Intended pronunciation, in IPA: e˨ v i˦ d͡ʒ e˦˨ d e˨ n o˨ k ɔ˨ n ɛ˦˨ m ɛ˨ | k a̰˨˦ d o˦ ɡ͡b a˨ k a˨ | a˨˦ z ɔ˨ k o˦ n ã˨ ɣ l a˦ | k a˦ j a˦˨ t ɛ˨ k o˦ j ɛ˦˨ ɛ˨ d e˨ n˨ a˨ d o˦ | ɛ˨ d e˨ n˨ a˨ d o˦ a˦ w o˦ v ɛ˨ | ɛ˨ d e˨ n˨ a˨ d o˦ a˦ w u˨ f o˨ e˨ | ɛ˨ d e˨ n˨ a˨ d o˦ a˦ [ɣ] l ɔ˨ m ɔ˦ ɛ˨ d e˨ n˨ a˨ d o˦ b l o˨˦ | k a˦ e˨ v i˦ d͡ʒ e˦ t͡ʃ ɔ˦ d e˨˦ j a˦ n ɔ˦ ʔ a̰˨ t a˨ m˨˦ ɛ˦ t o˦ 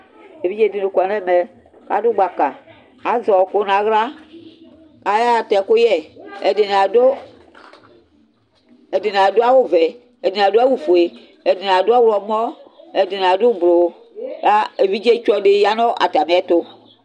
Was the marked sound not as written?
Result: yes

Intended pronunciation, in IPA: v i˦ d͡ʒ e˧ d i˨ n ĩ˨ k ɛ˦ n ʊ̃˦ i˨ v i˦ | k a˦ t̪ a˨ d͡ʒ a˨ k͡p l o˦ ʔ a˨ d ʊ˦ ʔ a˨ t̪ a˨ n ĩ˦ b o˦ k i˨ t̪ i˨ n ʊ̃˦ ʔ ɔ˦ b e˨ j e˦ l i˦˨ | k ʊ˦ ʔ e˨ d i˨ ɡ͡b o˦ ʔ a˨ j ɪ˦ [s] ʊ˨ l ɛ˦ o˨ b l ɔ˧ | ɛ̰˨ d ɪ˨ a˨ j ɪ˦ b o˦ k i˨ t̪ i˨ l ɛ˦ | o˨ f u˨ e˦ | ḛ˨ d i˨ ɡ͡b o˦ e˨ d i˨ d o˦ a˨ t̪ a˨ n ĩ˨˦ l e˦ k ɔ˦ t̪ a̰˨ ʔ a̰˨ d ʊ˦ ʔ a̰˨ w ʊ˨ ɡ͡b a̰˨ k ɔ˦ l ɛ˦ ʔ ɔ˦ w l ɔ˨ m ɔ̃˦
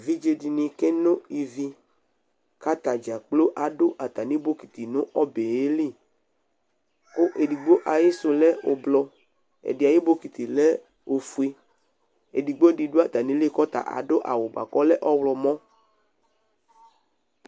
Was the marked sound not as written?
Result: no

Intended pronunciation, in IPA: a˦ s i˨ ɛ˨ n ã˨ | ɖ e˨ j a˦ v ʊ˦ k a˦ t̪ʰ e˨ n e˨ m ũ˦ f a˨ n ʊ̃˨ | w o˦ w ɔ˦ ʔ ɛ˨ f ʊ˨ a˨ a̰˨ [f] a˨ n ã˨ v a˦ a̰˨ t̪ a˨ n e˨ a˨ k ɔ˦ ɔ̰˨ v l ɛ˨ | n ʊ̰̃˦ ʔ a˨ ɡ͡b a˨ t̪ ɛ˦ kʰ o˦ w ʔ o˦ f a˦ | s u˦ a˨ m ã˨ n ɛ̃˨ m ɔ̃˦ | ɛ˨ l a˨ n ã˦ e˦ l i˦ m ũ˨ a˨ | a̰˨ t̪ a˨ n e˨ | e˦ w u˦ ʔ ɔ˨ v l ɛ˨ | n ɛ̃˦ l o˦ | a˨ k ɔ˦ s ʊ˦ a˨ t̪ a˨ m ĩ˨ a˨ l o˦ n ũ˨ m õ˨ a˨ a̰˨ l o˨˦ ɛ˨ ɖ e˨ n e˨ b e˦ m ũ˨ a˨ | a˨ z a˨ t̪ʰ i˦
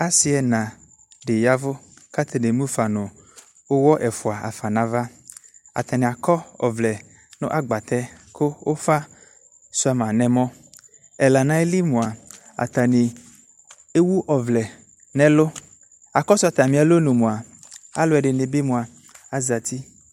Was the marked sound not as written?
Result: no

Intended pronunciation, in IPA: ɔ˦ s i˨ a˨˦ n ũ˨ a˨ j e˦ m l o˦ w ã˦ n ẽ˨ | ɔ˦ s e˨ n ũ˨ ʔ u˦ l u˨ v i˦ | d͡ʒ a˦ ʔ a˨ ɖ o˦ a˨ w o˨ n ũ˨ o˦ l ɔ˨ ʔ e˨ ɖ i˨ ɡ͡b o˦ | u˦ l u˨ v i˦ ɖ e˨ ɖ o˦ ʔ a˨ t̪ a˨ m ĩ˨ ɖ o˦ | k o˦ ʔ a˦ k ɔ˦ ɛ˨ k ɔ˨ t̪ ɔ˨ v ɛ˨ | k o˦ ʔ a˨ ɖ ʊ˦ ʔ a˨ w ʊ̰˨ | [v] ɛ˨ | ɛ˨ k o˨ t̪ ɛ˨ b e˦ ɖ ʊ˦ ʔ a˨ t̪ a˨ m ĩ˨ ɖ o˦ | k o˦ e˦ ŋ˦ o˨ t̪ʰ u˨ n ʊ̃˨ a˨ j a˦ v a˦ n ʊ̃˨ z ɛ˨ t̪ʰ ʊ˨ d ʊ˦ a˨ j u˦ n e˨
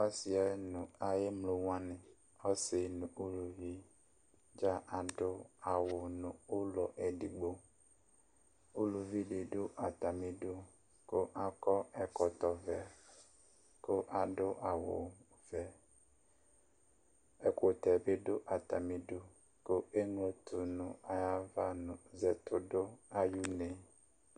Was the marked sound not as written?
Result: no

